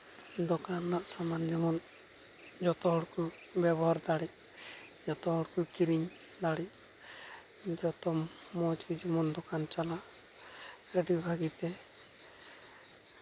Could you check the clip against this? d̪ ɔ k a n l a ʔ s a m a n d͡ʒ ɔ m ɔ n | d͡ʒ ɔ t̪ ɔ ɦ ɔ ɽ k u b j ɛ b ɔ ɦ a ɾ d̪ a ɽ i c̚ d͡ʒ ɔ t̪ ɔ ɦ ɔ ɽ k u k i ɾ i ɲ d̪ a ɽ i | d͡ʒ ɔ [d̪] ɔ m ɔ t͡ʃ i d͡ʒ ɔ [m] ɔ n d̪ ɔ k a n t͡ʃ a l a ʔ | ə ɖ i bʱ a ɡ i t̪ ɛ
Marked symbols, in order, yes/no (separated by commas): no, yes